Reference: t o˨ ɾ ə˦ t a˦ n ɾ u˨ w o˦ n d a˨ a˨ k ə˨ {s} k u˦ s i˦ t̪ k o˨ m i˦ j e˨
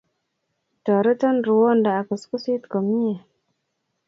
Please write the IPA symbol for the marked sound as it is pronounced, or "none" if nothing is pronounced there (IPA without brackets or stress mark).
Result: s